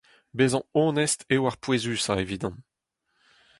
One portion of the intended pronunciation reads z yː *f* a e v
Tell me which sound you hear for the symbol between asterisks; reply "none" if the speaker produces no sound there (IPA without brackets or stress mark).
s